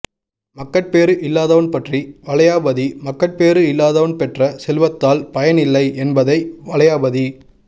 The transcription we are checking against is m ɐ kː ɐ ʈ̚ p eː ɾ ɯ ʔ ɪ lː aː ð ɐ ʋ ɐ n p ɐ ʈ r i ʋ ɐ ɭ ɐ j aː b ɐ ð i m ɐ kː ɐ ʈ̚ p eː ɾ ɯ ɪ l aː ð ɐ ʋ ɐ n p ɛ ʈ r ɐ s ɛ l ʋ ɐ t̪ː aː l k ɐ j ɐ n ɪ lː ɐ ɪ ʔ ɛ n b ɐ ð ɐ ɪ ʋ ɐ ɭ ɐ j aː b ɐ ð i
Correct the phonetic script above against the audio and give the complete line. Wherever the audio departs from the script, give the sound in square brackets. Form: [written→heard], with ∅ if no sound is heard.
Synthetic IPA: m ɐ kː ɐ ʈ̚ p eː ɾ ɯ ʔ ɪ lː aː ð ɐ ʋ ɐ n p ɐ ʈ r i ʋ ɐ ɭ ɐ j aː b ɐ ð i m ɐ kː ɐ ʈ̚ p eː ɾ ɯ ɪ [l→lː] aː ð ɐ ʋ ɐ n p ɛ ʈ r ɐ s ɛ l ʋ ɐ t̪ː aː l [k→p] ɐ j ɐ n ɪ lː ɐ ɪ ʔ ɛ n b ɐ ð ɐ ɪ ʋ ɐ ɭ ɐ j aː b ɐ ð i